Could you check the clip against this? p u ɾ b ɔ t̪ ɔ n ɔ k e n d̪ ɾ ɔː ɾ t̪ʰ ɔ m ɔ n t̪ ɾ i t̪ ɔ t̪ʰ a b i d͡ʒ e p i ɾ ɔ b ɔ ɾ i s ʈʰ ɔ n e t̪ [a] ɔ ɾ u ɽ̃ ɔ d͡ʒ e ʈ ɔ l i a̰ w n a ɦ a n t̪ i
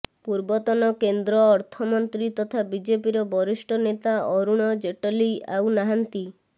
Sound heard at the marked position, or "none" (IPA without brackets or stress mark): a